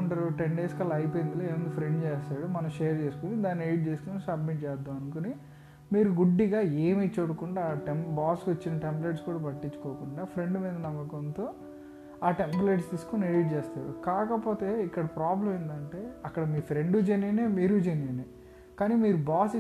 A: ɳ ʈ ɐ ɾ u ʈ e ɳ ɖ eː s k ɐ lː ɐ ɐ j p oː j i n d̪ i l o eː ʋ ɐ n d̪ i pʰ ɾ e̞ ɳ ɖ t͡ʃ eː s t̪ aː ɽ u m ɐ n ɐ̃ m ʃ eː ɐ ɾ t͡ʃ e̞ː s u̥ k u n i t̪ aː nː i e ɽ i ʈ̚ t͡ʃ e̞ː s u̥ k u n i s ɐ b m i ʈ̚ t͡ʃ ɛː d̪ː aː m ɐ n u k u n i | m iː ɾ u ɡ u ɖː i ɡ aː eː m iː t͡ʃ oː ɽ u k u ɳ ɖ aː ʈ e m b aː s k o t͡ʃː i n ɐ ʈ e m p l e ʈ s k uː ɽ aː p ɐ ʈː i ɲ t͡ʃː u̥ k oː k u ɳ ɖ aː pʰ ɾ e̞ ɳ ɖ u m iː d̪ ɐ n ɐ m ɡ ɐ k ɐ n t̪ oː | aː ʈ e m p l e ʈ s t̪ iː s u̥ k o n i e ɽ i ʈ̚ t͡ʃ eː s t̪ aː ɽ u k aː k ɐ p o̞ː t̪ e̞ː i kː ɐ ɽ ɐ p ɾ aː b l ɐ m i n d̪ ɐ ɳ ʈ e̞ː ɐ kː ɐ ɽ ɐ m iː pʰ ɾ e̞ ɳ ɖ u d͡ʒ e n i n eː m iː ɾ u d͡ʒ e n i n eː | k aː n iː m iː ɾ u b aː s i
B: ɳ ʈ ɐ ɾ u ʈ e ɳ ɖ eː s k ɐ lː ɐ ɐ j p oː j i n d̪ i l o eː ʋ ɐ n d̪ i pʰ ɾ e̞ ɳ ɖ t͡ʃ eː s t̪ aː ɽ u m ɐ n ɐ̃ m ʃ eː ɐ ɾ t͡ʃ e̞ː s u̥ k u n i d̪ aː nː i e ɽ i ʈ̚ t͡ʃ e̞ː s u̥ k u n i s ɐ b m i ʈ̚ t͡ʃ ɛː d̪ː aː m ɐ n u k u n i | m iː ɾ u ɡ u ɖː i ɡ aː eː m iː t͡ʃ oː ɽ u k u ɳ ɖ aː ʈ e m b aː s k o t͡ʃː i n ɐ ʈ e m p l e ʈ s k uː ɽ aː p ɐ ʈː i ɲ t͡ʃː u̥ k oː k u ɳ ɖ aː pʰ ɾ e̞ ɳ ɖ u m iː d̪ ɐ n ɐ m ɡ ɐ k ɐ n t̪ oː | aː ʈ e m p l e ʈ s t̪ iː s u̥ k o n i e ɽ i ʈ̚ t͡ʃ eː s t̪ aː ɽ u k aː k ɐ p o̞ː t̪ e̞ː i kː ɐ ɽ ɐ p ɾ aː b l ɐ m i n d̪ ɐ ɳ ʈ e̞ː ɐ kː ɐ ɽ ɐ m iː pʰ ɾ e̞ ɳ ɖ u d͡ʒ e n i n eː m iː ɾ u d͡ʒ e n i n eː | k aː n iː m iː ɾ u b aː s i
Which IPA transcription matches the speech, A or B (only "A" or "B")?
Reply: B